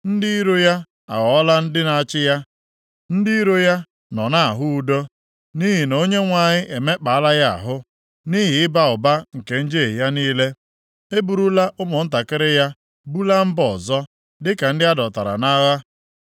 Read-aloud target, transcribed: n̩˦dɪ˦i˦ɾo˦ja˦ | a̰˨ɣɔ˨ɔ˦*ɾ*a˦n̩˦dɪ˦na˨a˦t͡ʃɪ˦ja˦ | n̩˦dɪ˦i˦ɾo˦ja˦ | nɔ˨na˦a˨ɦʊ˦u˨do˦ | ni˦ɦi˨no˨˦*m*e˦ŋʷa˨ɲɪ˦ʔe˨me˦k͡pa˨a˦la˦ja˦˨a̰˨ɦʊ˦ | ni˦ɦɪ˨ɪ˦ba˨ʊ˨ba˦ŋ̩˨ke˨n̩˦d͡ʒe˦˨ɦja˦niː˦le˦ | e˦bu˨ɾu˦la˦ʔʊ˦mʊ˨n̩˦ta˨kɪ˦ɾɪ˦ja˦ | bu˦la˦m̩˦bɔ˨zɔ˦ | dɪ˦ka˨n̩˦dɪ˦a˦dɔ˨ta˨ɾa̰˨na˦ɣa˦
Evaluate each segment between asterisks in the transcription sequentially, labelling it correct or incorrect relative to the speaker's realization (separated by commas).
incorrect, incorrect